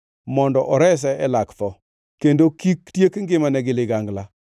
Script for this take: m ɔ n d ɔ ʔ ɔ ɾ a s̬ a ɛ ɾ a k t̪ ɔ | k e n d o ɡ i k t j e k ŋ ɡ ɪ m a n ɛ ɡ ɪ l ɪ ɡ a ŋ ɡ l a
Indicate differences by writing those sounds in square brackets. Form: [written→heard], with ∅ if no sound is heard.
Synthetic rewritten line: m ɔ n d ɔ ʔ ɔ ɾ [a→ɛ] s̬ [a→ɛ] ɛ [ɾ→l] a k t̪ ɔ | k e n d o [ɡ→k] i k t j e k ŋ ɡ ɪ m a n ɛ ɡ ɪ l ɪ ɡ a ŋ ɡ l a

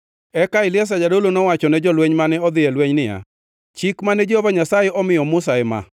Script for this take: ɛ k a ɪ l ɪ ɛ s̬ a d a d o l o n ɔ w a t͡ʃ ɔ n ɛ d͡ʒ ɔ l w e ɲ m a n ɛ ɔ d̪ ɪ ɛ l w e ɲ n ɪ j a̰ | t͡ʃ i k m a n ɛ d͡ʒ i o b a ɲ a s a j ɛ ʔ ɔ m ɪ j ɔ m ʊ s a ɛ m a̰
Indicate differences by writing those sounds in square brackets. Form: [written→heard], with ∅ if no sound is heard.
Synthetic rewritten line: ɛ k a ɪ l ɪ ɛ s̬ a [d→d͡ʒ] a d o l o n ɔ w a t͡ʃ ɔ n ɛ d͡ʒ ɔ l w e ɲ m a n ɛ ɔ d̪ ɪ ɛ l w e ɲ n ɪ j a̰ | t͡ʃ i k m a n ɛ d͡ʒ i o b a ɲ a s a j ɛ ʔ ɔ m ɪ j ɔ m ʊ s a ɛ m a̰

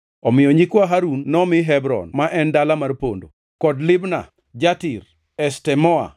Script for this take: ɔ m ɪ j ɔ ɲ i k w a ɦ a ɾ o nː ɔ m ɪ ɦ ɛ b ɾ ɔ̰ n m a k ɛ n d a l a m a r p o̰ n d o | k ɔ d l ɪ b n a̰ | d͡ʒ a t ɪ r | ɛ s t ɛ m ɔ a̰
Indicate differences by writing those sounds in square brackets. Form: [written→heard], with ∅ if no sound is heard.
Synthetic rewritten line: ɔ m ɪ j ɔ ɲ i k w a ɦ a ɾ [o→u] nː ɔ m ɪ ɦ ɛ b ɾ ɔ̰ n m a [k→ʔ] ɛ n d a l a m a r p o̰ n d o | k ɔ d l ɪ b n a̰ | d͡ʒ a t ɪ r | ɛ s t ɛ m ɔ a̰

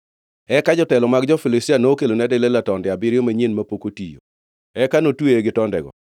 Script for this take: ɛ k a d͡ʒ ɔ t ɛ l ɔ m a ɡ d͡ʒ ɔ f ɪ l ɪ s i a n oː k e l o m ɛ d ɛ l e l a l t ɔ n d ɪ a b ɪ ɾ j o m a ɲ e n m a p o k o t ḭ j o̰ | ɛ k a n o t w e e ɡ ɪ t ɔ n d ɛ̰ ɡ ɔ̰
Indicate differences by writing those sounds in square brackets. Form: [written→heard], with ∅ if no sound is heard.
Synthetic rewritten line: ɛ k a d͡ʒ ɔ t ɛ l ɔ m a ɡ d͡ʒ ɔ f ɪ l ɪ s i a n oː k e l o [m→n] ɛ d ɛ l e l a [l→∅] t ɔ n d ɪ a b ɪ ɾ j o m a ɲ e n m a p o k o t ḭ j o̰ | ɛ k a n o t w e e ɡ ɪ t ɔ n d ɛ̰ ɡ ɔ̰

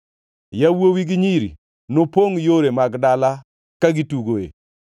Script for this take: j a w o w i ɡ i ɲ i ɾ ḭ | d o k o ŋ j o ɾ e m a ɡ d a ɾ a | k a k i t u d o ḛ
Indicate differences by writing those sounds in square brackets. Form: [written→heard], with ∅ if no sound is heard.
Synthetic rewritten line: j a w o w i ɡ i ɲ i ɾ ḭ | [d→n] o [k→p] o ŋ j o ɾ e m a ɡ d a [ɾ→l] a | k a [k→ɡ] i t u [d→ɡ] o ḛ

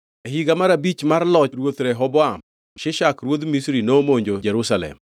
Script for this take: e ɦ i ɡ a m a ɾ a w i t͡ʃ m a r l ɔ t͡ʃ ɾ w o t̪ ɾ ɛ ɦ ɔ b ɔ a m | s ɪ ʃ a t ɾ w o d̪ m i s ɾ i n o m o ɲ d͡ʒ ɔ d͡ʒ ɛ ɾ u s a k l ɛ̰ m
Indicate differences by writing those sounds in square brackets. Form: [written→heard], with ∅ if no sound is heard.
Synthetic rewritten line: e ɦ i ɡ a m a ɾ a [w→b] i t͡ʃ m a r l ɔ t͡ʃ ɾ w o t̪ ɾ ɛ ɦ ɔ b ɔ a m | [s→ʃ] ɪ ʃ a [t→k] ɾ w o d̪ m i s ɾ i n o m o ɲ d͡ʒ [ɔ→o] d͡ʒ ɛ ɾ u s a [k→∅] l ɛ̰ m

